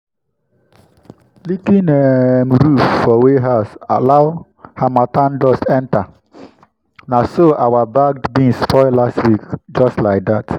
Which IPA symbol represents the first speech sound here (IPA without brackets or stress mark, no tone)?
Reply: l